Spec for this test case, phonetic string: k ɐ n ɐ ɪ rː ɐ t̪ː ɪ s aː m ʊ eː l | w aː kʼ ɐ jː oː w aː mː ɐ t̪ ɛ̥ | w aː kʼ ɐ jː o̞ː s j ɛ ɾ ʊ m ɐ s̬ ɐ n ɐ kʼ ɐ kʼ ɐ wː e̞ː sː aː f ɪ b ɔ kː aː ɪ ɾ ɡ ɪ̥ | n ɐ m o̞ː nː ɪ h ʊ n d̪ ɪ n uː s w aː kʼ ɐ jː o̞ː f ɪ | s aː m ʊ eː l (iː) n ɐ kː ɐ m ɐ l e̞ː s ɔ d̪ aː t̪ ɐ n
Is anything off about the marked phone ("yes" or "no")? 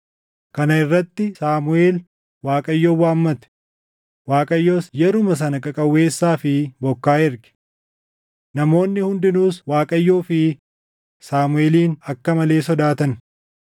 no